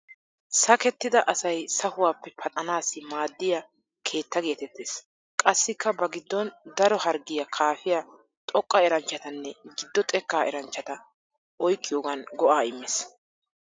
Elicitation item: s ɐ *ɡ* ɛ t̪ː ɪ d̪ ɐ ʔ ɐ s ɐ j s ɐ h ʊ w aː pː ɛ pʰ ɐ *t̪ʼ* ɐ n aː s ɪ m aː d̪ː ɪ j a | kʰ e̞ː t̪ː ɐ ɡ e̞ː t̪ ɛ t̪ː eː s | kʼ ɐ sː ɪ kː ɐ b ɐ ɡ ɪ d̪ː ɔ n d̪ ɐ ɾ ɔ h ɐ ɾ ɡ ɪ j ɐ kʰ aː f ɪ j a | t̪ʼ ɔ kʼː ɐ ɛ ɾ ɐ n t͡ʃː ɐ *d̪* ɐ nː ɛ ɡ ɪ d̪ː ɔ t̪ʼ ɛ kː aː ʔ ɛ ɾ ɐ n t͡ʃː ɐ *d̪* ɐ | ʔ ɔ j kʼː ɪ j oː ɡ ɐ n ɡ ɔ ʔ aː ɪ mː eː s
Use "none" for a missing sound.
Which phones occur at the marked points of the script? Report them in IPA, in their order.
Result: k, t̪ʼ, t̪, t̪

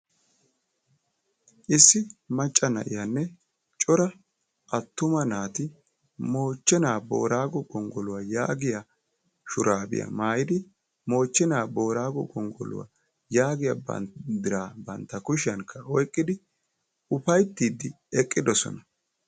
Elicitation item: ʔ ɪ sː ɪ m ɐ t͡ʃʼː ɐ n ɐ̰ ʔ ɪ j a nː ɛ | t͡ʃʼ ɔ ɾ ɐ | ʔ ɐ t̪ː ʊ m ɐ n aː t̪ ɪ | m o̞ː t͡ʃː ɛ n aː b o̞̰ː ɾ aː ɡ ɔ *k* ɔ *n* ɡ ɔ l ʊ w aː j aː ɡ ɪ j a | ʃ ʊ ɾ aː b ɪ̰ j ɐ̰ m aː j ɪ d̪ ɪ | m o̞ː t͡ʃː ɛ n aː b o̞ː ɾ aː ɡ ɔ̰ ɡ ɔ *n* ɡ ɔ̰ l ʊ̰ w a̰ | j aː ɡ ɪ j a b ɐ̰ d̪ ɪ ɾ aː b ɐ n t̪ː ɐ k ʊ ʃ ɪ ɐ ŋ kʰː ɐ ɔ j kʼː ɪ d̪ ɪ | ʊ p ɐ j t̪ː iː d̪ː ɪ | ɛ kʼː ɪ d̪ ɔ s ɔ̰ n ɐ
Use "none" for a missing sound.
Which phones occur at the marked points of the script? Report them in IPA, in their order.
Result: ɡ, ŋ, ŋ

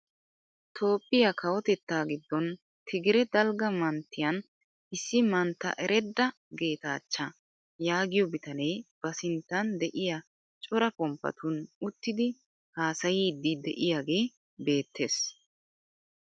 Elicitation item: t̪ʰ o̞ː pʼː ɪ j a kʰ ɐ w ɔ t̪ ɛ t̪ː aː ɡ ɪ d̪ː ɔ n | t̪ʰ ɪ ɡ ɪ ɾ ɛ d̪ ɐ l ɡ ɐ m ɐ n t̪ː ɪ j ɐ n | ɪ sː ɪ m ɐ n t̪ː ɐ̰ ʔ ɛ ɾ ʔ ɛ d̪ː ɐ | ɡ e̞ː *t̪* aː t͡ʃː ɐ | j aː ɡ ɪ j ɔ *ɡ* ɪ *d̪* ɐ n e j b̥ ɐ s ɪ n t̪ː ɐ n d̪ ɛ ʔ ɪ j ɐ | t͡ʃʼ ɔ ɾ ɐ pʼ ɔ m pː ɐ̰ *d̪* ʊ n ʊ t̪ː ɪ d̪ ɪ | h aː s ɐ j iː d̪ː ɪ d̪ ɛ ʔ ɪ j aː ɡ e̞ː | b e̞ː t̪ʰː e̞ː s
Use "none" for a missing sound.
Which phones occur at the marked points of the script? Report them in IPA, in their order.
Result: t̪, b, t̪, t̪

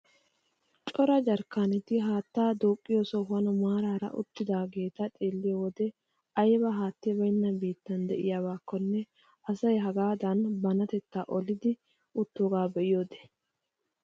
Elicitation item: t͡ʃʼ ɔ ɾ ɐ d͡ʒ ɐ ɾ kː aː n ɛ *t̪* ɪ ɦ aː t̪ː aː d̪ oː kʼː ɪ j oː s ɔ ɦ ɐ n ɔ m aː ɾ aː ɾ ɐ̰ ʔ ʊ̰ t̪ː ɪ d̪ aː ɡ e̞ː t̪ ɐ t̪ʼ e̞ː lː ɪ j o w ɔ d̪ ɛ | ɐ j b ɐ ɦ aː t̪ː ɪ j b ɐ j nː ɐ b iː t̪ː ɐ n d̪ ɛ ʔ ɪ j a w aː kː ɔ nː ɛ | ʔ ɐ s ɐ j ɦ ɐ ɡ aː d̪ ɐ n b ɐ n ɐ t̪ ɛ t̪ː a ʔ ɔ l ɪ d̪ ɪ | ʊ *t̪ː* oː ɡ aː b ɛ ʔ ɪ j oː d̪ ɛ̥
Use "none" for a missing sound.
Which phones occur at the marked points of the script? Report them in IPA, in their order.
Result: t̪, t̪ː

